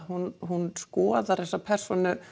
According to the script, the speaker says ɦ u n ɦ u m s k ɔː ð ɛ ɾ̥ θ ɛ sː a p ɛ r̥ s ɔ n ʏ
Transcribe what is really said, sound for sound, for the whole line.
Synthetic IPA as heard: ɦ u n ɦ u n s k ɔː ð a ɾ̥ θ ɛ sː a pʰ ɛ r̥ s ɔ n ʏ